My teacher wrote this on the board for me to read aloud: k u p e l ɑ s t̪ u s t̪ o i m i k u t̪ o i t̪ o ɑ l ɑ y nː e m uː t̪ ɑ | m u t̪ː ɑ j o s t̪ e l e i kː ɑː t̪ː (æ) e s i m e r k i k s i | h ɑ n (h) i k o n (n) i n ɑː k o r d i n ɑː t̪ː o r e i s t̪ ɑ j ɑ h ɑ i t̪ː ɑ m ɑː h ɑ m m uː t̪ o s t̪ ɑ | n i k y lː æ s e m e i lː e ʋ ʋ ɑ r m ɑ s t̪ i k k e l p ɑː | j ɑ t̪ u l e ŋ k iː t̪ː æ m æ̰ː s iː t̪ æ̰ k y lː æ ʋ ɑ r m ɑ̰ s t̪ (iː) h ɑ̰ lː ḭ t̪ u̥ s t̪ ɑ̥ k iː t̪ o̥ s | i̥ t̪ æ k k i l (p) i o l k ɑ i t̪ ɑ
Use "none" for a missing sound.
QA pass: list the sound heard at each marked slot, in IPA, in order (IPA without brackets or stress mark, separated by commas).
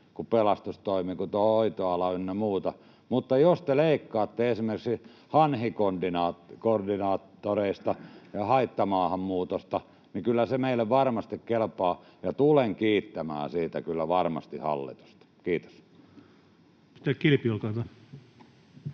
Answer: e, h, d, i, p